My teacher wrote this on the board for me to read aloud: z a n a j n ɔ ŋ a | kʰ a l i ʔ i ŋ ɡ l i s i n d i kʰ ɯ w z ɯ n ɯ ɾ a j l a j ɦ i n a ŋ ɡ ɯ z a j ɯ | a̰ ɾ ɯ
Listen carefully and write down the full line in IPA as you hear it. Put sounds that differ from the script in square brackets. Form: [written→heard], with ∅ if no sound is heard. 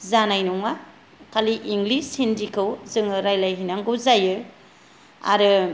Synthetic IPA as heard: z a n a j n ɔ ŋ a | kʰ a l i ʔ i ŋ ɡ l i s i n d i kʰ ɯ w z ɯ [n→ŋ] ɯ ɾ a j l a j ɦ i n a ŋ ɡ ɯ z a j ɯ | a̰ ɾ ɯ